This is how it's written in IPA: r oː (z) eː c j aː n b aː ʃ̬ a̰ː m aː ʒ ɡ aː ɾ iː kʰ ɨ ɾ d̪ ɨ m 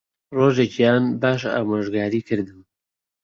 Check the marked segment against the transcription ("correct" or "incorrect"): incorrect